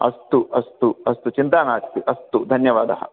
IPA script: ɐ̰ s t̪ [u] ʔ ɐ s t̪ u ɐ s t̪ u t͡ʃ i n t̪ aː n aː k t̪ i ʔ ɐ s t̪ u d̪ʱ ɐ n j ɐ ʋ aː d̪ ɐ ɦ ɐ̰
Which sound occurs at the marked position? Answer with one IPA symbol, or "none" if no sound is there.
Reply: u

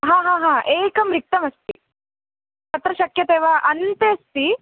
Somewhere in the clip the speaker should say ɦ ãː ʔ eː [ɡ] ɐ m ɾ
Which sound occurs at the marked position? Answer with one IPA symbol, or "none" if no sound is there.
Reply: k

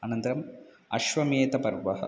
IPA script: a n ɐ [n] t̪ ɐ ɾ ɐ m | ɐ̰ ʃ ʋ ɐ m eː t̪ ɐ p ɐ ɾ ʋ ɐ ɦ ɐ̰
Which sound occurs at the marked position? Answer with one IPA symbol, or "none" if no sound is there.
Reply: n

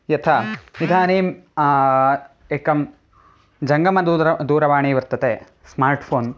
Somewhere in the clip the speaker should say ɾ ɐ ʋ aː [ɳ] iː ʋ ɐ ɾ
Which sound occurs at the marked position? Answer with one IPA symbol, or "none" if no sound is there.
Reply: ɳ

